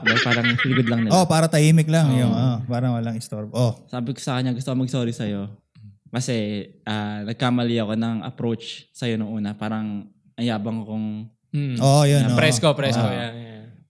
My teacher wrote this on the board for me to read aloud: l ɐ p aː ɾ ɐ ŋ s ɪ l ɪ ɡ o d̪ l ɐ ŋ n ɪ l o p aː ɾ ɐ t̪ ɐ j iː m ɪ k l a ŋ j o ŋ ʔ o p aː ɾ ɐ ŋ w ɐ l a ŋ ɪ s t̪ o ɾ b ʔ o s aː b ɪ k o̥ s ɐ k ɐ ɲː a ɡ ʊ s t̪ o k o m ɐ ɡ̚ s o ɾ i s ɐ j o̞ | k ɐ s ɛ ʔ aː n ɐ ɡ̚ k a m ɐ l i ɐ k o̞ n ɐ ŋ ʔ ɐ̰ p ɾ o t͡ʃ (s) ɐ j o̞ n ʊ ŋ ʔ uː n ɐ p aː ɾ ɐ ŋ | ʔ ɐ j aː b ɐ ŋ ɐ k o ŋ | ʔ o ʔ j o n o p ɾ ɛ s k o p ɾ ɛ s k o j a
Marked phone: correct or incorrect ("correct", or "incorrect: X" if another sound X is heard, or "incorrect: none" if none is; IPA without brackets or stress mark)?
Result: correct